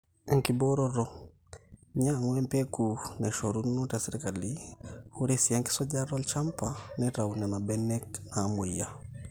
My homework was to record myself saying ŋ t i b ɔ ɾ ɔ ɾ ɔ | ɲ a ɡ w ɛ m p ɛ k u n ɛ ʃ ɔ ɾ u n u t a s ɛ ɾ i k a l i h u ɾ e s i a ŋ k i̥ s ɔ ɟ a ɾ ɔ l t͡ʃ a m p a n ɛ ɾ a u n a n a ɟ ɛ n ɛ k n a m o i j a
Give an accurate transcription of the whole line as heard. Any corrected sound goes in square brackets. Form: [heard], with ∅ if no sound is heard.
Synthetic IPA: ŋ [k] i b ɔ ɾ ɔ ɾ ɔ | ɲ a [ŋ] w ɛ m p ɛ k u n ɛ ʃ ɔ ɾ u n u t a s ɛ ɾ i k a l i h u ɾ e s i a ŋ k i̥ s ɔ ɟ a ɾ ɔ l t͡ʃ a m p a n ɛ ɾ a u n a n a [b] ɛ n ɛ k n a m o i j a